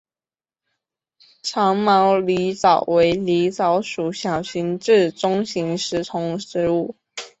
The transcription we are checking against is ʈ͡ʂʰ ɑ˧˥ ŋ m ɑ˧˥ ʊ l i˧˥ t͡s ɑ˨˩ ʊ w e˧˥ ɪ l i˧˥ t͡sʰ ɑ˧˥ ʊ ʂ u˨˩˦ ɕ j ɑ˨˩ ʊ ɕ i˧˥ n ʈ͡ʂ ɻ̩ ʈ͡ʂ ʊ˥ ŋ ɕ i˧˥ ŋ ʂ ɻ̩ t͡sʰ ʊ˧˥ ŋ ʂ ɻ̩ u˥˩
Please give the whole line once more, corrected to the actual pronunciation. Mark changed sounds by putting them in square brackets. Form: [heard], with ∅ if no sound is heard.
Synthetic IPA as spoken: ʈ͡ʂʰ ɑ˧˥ ŋ m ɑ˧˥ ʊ l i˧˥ t͡s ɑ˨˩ ʊ w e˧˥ ɪ l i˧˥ [t͡s] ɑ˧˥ ʊ ʂ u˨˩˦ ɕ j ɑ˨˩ ʊ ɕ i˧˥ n ʈ͡ʂ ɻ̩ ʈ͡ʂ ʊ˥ ŋ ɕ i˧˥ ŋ ʂ ɻ̩ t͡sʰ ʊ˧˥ ŋ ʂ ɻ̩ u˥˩